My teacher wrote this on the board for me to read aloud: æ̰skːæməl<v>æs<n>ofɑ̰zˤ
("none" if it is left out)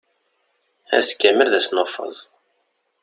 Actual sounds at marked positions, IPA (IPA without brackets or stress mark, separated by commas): ð, n